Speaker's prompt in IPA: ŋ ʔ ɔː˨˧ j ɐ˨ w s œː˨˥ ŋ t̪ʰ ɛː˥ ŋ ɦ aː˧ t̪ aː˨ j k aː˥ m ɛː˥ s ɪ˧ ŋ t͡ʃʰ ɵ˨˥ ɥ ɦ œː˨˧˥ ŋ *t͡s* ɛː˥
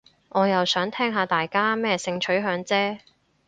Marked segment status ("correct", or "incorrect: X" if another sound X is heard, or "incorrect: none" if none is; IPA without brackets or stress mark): correct